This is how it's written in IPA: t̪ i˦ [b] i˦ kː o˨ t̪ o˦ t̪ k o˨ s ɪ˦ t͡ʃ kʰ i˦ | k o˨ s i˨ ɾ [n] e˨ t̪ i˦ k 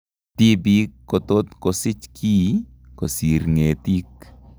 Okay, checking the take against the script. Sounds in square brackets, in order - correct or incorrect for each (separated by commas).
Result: correct, incorrect